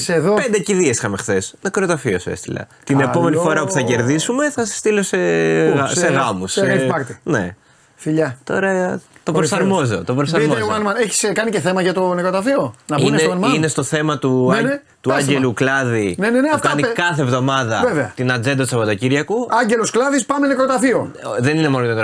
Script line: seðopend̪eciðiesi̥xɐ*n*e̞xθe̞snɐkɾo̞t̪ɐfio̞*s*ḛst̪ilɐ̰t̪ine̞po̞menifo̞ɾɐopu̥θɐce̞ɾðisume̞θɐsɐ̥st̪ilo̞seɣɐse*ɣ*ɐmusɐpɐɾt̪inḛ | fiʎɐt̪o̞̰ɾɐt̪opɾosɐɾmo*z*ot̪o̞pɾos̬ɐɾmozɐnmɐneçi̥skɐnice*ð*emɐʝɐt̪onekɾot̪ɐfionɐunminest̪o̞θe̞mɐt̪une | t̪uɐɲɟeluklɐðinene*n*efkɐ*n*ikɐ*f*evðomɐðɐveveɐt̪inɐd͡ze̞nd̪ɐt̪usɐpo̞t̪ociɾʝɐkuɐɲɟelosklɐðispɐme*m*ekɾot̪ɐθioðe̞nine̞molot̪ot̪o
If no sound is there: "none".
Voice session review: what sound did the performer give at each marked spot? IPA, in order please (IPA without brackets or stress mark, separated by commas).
m, s, ɣ, z, θ, n, n, θ, n